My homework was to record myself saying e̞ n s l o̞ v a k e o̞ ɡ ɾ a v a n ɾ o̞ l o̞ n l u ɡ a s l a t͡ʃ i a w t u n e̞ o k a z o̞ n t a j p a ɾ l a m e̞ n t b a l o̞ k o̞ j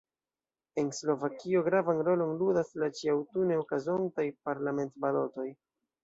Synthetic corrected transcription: e̞ n s l o̞ v a k i o̞ ɡ ɾ a v a n ɾ o̞ l o̞ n l u d a s l a t͡ʃ i a w t u n e̞ o k a z o̞ n t a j p a ɾ l a m e̞ n t b a l o̞ t o̞ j